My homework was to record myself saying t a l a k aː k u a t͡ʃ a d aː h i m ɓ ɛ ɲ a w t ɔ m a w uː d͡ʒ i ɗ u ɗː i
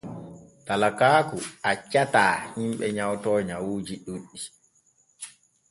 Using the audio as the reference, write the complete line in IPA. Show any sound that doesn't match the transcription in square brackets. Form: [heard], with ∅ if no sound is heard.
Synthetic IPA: t a l a k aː k u a t͡ʃ a [t] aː h i m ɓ ɛ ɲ a w t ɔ [ɲ] a w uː d͡ʒ i ɗ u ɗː i